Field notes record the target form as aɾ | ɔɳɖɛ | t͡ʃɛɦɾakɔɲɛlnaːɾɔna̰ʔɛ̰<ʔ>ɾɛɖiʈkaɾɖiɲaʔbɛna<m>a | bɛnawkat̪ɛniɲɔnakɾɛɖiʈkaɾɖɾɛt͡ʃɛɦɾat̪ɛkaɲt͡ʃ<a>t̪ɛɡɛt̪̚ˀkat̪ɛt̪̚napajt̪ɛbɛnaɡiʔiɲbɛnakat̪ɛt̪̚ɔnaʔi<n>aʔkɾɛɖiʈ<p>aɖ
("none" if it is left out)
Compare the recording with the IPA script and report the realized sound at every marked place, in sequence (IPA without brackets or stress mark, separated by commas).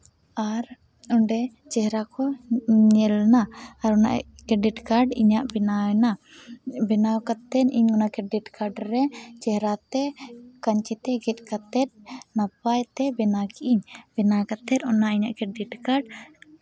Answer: k, n, i, ɲ, k